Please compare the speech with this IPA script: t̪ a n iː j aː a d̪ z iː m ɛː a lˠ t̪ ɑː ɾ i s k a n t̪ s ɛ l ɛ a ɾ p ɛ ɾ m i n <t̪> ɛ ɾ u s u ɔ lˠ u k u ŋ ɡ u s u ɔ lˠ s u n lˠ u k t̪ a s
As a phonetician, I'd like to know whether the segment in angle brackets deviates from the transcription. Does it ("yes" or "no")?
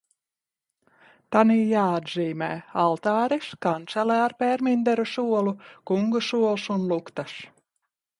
yes